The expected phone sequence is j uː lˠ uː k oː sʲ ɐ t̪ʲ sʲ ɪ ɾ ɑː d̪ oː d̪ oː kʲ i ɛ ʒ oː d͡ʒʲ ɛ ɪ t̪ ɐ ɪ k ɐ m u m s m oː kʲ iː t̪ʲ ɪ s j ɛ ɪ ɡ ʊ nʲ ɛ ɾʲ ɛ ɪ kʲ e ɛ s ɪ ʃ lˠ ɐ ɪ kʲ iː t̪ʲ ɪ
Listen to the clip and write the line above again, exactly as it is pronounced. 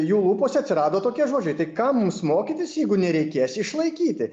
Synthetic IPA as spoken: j uː lˠ uː p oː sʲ ɐ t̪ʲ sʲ ɪ ɾ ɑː d̪ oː t̪ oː kʲ i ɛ ʒ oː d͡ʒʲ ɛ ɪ t̪ ɐ ɪ k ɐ m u m s m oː kʲ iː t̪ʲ ɪ s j ɛ ɪ ɡ ʊ nʲ ɛ ɾʲ ɛ ɪ kʲ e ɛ s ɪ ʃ lˠ ɐ ɪ kʲ iː t̪ʲ ɪ